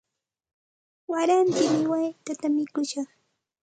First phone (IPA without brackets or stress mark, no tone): w